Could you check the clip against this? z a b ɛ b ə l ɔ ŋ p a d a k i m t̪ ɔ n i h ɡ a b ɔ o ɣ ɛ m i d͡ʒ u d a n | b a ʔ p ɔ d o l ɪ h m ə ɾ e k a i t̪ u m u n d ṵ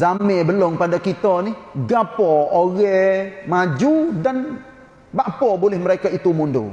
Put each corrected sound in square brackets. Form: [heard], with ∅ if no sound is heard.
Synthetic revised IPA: z a [m] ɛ b ə l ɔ ŋ p a d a k i [∅] t̪ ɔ n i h ɡ a [p] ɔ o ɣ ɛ m [a] d͡ʒ u d a n | b a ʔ p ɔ [b] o l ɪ h m ə ɾ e k a i t̪ u m u n d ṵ

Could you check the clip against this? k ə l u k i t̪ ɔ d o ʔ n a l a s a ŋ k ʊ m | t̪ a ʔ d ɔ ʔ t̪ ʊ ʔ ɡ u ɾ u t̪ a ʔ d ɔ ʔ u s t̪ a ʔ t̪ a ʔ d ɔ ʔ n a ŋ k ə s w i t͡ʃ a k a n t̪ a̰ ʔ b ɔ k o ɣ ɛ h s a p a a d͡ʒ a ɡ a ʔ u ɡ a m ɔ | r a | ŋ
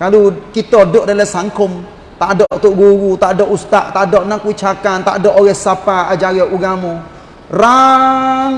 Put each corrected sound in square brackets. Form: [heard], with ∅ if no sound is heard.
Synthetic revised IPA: k [a] l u k i t̪ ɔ d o ʔ [d] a l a s a ŋ k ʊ m | t̪ a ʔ d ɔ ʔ t̪ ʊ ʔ ɡ u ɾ u t̪ a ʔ d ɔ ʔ u s t̪ a ʔ t̪ a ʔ d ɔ ʔ n a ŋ k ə [∅] w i t͡ʃ a k a n t̪ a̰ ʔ [d] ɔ [ʔ] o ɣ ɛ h s a p a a d͡ʒ a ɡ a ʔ u ɡ a m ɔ | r a | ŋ

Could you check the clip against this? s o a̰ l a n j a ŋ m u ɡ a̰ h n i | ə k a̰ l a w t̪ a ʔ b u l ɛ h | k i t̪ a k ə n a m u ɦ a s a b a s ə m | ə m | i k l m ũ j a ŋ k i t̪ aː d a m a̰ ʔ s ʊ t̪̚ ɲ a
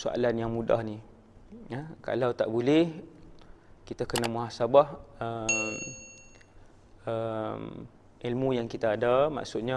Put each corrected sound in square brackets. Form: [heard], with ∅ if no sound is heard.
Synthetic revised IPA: s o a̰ l a n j a ŋ m u [d] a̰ h n i | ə k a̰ l a w t̪ a ʔ b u l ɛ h | k i t̪ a k ə n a m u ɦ a s a b a [h] ə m | ə m | i [∅] l m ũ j a ŋ k i t̪ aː d a m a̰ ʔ s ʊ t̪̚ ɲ a

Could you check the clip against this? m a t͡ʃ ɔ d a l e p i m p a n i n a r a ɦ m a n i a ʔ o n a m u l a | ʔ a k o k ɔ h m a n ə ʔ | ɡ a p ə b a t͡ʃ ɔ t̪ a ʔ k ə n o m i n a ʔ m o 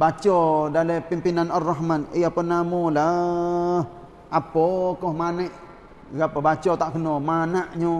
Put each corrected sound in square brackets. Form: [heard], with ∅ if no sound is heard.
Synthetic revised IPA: [b] a t͡ʃ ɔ d a l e p i m p [i] n [a] n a r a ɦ m a n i a [p] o n a m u l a | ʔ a [p] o k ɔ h m a n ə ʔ | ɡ a p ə b a t͡ʃ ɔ t̪ a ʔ k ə n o m [a] n a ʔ [ɲ] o

